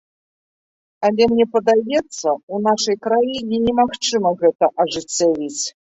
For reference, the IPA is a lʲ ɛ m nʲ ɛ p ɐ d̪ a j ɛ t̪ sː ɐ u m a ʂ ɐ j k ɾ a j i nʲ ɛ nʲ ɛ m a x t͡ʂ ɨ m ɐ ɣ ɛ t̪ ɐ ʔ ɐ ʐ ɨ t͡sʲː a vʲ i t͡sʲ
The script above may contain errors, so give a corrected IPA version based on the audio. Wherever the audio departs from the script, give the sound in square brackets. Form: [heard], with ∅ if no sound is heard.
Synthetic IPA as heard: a lʲ ɛ m nʲ ɛ p ɐ d̪ a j ɛ t̪ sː ɐ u [n] a ʂ ɐ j k ɾ a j i nʲ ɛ nʲ ɛ m a x t͡ʂ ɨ m ɐ ɣ ɛ t̪ ɐ ʔ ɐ ʐ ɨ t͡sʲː a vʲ i t͡sʲ

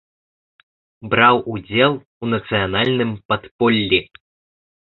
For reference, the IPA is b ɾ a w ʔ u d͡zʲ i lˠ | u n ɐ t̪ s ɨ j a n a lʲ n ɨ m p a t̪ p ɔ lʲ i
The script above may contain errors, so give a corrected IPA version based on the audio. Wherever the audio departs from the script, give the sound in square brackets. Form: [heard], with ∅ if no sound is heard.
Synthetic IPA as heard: b ɾ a w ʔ u d͡zʲ [ɛ] lˠ | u n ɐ t̪ s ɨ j a n a lʲ n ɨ m p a t̪ p ɔ [lʲː] i

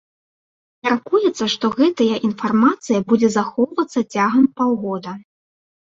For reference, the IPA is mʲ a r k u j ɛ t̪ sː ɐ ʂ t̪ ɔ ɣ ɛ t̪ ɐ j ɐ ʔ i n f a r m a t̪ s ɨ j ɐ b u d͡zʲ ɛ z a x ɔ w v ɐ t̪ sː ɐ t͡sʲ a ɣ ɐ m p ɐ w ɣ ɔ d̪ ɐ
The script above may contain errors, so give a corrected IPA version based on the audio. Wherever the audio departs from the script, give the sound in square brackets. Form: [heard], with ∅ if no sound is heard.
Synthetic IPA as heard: mʲ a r k u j ɛ t̪ sː ɐ ʂ t̪ ɔ ɣ ɛ t̪ ɐ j ɐ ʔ i n f a r m a t̪ s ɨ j ɐ b u d͡zʲ ɛ z a x ɔ w v ɐ t̪ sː ɐ t͡sʲ a ɣ ɐ m p [a] w ɣ ɔ d̪ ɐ

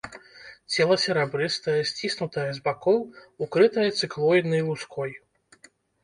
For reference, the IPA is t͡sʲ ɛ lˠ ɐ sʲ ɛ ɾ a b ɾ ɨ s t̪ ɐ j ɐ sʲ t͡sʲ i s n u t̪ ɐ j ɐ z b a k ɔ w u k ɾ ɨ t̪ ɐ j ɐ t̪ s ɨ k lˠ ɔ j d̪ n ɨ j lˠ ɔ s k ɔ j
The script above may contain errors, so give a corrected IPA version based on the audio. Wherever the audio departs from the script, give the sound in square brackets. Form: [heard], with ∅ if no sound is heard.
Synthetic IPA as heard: t͡sʲ ɛ lˠ ɐ sʲ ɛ ɾ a b ɾ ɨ s t̪ ɐ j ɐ sʲ t͡sʲ i s n u t̪ ɐ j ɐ z b a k ɔ w u k ɾ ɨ t̪ ɐ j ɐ t̪ s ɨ k lˠ ɔ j d̪ n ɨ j lˠ [u] s k ɔ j

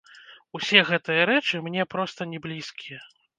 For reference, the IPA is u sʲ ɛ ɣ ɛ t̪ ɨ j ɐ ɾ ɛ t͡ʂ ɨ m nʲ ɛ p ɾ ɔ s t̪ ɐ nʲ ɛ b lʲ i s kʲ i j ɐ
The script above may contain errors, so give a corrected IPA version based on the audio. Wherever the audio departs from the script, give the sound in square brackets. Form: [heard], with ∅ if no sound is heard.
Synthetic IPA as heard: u sʲ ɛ ɣ ɛ t̪ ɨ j ɐ ɾ ɛ t͡ʂ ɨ m nʲ ɛ p ɾ ɔ s t̪ ɐ nʲ ɛ b lʲ i s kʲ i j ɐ

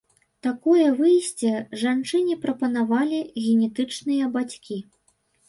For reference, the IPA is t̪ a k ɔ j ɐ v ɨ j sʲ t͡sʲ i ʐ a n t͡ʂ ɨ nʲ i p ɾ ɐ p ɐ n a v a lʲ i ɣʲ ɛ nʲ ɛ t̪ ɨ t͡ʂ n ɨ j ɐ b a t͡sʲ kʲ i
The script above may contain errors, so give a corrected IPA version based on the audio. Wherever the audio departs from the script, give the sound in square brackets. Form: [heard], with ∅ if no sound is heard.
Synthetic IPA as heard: t̪ a k ɔ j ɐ v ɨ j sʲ t͡sʲ [ɛ] ʐ a n t͡ʂ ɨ nʲ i p ɾ ɐ p ɐ n a v a lʲ i ɣʲ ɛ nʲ ɛ t̪ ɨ t͡ʂ n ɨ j ɐ b a t͡sʲ kʲ i

